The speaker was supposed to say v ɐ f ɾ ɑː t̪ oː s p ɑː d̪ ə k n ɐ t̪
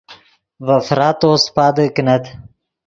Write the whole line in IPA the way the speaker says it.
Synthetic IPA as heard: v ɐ f ɾ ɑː t̪ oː s p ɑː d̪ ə k n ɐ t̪